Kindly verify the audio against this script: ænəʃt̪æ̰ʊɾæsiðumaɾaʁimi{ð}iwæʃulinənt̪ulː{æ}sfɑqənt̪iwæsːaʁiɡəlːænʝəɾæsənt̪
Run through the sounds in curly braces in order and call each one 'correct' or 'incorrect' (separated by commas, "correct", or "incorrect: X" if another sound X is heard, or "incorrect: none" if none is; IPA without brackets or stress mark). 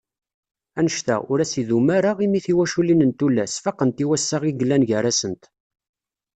incorrect: θ, correct